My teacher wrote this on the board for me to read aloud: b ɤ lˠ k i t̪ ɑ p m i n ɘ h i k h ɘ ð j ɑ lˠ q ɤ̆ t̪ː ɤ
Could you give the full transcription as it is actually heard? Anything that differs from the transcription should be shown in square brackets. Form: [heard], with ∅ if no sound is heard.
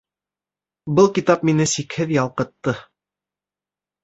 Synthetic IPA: b ɤ lˠ k i t̪ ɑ p m i n ɘ [s] i k h ɘ ð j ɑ lˠ q ɤ̆ t̪ː ɤ